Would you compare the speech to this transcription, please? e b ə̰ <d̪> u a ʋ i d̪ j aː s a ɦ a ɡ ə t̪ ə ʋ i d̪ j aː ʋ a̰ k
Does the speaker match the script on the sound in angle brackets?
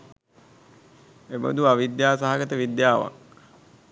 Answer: yes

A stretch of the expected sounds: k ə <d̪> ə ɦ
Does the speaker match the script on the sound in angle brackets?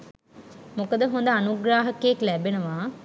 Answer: yes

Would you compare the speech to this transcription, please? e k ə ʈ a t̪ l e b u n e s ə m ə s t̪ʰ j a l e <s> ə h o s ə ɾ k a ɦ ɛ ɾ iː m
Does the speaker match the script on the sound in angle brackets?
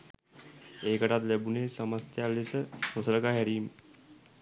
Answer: yes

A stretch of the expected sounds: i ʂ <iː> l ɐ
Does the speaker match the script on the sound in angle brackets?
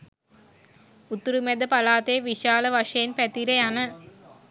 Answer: no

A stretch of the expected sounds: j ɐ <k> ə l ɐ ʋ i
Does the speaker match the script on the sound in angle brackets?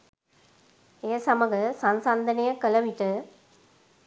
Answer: yes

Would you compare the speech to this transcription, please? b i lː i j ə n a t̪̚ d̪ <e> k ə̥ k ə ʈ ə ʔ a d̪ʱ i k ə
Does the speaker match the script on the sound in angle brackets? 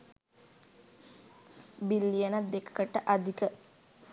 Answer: yes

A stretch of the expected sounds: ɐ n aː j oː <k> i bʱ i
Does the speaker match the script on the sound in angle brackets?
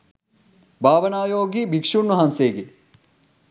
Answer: no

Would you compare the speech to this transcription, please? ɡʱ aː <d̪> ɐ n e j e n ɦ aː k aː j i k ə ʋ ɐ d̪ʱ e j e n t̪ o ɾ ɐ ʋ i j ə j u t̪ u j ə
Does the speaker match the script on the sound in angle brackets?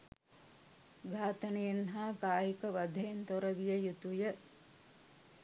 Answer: no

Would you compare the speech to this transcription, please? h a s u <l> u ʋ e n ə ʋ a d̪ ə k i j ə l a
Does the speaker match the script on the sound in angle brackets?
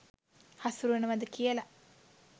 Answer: no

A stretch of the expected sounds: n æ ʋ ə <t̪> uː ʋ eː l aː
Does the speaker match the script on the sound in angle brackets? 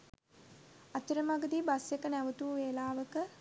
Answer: yes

